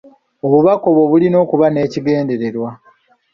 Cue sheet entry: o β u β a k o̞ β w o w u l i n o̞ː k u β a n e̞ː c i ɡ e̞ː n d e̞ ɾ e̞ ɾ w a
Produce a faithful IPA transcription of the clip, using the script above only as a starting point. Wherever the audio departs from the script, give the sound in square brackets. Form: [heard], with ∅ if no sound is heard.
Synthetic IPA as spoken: o β u β a k o̞ β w o [β] u l i n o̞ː k u β a n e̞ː c i ɡ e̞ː n d e̞ ɾ e̞ ɾ w a